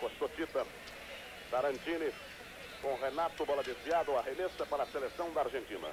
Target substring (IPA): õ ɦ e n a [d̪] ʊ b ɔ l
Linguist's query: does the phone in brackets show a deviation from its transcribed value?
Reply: yes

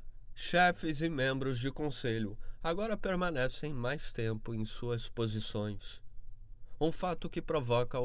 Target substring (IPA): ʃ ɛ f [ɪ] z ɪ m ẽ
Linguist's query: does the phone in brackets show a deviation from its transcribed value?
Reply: no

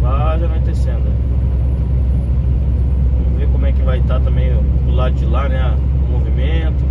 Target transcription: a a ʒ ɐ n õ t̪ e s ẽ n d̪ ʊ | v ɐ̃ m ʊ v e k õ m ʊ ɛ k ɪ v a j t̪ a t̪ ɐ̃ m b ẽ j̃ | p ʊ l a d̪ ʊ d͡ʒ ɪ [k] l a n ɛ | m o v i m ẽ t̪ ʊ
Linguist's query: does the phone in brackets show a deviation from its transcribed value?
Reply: yes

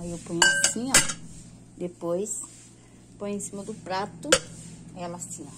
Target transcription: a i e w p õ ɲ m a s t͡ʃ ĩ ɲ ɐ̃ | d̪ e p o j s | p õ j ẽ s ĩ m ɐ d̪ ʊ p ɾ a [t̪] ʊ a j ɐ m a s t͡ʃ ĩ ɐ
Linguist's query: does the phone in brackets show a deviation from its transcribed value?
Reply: no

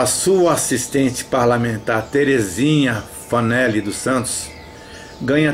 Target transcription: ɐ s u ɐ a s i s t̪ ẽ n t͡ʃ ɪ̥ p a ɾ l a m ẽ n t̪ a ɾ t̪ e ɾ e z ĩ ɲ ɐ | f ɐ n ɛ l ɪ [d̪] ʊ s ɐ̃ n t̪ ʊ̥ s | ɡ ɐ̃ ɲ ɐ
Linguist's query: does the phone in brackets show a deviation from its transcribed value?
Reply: no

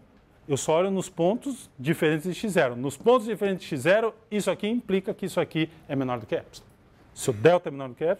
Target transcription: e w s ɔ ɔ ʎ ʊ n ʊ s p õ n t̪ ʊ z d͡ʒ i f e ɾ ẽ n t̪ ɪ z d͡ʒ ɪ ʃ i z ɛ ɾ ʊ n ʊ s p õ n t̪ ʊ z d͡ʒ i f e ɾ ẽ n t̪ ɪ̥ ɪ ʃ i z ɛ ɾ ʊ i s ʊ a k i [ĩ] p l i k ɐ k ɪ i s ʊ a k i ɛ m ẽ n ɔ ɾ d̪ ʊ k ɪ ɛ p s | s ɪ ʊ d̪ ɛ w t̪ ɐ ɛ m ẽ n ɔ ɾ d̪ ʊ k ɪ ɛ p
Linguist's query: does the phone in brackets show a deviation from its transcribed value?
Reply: no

